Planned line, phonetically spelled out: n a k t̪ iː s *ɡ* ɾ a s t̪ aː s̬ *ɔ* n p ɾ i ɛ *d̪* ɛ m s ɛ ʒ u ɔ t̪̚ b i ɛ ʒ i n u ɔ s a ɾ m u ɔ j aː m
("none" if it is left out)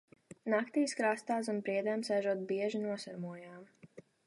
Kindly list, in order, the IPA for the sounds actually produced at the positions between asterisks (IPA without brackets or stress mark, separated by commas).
k, u, d̪